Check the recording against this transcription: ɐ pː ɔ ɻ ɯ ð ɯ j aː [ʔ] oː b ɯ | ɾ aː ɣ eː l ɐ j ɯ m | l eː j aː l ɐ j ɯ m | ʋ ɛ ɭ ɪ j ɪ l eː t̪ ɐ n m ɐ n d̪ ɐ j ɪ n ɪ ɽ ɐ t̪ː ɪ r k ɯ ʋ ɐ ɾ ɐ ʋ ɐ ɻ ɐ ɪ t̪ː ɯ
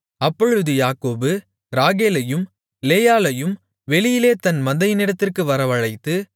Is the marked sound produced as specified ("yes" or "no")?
no